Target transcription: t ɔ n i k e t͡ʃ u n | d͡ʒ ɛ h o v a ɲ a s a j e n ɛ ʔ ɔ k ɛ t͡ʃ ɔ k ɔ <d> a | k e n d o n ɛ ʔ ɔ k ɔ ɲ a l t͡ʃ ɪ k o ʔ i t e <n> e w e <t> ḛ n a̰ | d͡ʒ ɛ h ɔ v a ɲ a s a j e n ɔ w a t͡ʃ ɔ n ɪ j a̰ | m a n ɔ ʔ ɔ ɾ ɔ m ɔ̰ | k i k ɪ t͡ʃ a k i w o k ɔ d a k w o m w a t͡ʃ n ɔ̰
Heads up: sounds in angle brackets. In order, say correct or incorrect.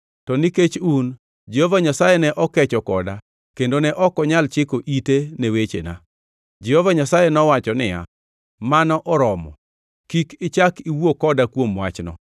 correct, correct, incorrect: t͡ʃ

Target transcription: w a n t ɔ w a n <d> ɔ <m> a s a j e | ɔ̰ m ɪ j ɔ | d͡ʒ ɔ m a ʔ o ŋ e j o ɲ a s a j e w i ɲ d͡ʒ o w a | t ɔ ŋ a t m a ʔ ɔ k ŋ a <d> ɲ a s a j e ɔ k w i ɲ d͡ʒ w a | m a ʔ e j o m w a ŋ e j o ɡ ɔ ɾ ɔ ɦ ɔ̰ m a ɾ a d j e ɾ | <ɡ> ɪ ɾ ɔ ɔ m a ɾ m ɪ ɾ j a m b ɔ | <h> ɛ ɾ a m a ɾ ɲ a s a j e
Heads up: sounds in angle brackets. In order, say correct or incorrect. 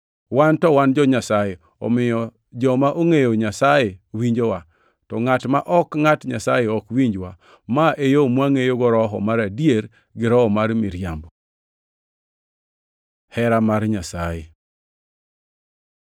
incorrect: d͡ʒ, incorrect: ɲ, incorrect: t, correct, correct

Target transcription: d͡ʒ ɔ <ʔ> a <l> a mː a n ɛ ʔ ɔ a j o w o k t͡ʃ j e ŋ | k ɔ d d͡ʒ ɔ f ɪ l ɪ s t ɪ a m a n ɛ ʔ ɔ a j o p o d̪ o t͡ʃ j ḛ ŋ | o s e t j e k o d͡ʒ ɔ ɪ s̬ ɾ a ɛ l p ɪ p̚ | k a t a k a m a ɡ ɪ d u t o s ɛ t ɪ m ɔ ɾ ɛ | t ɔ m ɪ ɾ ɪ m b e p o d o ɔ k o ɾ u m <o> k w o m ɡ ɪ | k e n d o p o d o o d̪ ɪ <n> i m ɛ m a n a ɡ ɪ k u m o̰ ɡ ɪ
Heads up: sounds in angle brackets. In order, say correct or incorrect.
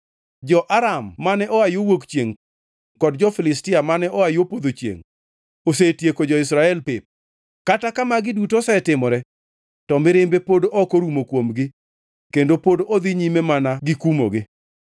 correct, incorrect: ɾ, correct, incorrect: ɲ

